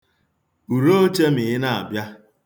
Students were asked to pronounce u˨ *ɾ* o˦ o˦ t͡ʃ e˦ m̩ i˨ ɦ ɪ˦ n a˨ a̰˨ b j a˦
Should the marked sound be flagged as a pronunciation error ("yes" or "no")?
no